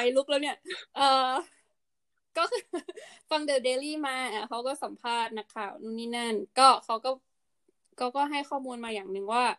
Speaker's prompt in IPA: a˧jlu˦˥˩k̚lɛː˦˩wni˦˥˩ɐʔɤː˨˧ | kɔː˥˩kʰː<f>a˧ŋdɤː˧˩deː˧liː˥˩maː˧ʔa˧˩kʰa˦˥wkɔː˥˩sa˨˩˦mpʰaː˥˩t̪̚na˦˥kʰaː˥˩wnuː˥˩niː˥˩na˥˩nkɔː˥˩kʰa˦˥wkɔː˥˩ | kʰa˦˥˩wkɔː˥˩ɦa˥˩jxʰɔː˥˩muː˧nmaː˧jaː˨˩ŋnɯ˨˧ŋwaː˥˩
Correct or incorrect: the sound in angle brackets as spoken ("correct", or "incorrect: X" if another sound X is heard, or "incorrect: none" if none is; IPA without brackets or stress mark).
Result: correct